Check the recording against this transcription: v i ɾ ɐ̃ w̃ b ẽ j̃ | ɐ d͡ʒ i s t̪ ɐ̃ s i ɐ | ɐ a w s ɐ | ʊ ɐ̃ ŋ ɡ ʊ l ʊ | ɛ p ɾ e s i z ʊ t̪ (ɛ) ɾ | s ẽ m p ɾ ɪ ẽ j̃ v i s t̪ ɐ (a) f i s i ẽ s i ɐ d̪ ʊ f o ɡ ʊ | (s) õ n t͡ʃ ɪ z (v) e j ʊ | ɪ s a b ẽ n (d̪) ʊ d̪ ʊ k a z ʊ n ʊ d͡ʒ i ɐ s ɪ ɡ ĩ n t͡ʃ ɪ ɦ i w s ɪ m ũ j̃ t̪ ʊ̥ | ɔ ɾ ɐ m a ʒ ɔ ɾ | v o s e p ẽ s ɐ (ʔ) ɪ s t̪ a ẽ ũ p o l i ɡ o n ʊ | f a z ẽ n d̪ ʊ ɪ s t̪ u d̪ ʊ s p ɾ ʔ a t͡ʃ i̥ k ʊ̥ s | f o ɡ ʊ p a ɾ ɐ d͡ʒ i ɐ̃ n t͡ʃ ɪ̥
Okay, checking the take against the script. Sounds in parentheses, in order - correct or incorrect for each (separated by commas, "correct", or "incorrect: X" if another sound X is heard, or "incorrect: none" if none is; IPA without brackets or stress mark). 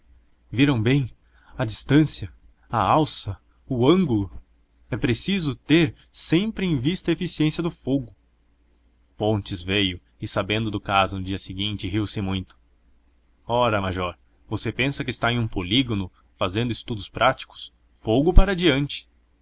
incorrect: e, incorrect: e, incorrect: f, correct, correct, incorrect: k